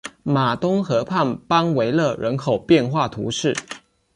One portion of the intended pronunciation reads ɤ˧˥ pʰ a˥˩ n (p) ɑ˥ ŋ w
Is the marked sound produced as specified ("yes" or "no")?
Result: yes